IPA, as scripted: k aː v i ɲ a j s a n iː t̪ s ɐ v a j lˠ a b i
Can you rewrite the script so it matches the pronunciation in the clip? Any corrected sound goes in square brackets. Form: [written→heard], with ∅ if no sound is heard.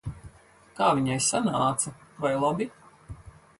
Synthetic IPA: k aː v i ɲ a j s a n [iː→aː] t̪ s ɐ v a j lˠ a b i